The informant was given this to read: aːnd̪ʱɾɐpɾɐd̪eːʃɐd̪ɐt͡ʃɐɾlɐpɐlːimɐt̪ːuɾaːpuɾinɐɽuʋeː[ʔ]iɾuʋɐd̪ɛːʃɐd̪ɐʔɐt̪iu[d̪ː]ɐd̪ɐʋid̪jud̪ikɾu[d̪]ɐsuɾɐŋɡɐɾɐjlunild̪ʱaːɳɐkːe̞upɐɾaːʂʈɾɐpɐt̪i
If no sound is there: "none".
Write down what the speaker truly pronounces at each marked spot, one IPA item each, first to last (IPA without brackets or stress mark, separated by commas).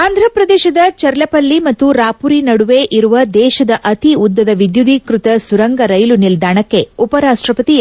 ʔ, d̪ː, t̪